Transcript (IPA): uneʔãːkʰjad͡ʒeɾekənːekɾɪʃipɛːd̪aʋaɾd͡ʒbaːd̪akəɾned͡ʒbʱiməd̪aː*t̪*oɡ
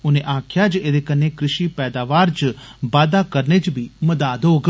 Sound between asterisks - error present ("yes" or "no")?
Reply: yes